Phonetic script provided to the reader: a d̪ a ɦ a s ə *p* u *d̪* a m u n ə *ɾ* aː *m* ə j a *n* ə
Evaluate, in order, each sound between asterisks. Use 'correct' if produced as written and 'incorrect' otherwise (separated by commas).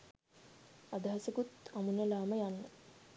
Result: incorrect, incorrect, incorrect, correct, incorrect